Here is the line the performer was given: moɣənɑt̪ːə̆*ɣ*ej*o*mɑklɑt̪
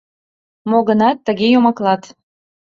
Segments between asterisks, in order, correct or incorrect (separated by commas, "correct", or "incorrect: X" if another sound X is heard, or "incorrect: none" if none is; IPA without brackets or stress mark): correct, correct